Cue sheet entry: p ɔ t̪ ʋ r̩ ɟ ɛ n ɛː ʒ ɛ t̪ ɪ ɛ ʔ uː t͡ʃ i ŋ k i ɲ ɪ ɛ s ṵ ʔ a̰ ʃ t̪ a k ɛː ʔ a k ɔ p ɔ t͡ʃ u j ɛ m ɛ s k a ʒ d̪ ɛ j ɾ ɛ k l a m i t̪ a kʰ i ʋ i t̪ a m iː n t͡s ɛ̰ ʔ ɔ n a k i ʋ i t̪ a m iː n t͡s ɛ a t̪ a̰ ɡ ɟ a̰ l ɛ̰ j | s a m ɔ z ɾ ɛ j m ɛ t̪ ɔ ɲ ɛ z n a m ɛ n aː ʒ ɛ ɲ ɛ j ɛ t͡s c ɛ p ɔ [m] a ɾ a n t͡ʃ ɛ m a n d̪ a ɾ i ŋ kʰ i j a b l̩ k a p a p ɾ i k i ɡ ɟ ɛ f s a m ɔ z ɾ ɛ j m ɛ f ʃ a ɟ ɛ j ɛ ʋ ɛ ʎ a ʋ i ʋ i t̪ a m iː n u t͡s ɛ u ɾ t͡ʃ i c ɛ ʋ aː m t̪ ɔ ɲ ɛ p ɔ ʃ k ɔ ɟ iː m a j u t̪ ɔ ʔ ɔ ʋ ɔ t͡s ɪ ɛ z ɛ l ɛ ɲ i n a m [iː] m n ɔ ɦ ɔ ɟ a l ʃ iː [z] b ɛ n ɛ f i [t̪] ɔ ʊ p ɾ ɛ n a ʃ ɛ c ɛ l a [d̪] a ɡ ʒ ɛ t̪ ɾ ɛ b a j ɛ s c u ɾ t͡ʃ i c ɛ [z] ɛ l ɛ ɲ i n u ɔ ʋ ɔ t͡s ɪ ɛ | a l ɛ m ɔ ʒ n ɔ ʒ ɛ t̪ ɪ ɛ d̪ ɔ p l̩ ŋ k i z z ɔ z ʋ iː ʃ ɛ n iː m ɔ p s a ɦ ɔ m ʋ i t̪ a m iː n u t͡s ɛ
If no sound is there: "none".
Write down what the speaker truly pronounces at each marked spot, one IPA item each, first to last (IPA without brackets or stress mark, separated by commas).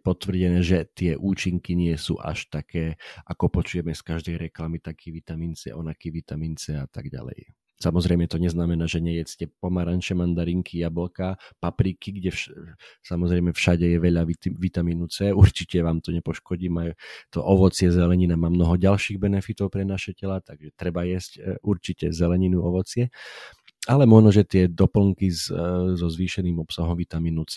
m, aː, ɣ, t̪, t̪, z